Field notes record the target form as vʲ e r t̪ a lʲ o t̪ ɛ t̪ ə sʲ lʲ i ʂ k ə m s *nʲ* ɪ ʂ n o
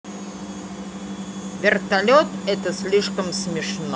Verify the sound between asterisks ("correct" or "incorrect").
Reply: incorrect